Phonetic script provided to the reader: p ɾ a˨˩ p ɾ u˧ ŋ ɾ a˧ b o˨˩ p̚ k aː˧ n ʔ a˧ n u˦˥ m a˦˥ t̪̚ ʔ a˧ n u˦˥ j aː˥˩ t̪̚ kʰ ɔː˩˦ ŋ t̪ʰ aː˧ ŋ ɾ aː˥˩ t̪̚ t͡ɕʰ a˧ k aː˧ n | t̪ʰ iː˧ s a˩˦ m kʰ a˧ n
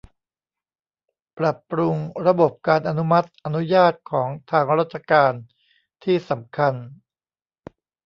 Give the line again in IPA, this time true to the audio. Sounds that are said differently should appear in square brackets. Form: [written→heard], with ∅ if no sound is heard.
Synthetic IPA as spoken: p ɾ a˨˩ p ɾ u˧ ŋ ɾ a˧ b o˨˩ p̚ k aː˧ n ʔ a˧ n u˦˥ m a˦˥ t̪̚ ʔ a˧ n u˦˥ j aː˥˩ t̪̚ kʰ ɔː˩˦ ŋ t̪ʰ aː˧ ŋ ɾ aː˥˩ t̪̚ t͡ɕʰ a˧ k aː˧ n | t̪ʰ [iː˧→iː˥˩] s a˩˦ m kʰ a˧ n